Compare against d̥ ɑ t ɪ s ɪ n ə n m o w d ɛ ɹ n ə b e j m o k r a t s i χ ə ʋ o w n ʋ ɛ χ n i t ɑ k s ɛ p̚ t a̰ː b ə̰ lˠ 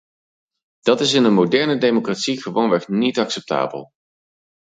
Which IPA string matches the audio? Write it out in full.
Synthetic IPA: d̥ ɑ t ɪ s ɪ n ə n m o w d ɛ ɹ n ə d e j m o k r a t s i χ ə ʋ o w n ʋ ɛ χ n i t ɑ k s ɛ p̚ t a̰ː b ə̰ lˠ